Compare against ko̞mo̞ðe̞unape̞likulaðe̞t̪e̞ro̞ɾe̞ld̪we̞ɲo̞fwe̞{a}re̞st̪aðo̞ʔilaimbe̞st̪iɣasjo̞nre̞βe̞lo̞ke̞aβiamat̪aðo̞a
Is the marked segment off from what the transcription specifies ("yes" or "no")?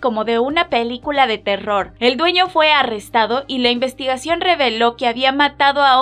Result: no